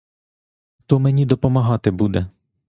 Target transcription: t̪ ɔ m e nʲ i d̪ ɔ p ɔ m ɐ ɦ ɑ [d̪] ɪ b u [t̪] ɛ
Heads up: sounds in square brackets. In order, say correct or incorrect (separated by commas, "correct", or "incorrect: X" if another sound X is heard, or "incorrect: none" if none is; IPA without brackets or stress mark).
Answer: incorrect: t̪, incorrect: d̪